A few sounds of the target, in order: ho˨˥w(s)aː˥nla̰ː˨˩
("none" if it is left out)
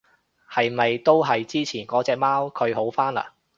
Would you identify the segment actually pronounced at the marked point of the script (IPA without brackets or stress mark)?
f